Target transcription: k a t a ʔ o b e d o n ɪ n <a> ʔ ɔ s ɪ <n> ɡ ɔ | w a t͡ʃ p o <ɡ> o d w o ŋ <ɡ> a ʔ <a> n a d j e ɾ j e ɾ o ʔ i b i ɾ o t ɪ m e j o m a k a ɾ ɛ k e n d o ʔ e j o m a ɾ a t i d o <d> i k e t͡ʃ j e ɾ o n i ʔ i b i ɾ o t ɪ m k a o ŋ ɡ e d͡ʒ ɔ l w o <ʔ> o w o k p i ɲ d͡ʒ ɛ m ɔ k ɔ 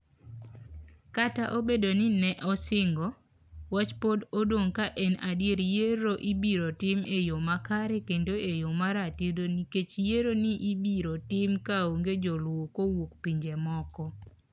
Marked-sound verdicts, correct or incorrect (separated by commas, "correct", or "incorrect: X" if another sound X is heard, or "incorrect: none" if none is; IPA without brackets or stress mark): incorrect: ɛ, incorrect: ŋ, incorrect: d, incorrect: k, incorrect: ɛ, incorrect: n, incorrect: k